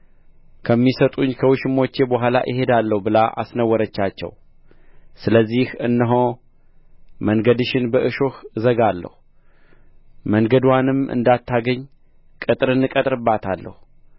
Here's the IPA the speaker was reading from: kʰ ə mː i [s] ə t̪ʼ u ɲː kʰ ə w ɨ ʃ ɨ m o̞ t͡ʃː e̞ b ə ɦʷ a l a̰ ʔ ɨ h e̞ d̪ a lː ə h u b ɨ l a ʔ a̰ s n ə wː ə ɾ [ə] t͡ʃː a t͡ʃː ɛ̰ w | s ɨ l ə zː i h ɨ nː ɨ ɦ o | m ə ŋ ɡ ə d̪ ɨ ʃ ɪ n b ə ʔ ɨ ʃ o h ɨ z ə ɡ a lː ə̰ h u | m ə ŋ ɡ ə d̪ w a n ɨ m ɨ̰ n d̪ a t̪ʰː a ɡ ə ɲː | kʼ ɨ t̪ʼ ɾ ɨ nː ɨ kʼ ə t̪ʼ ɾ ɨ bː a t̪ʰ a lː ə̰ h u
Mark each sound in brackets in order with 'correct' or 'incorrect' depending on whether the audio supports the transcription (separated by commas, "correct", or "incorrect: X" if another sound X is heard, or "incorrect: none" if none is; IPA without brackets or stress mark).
correct, correct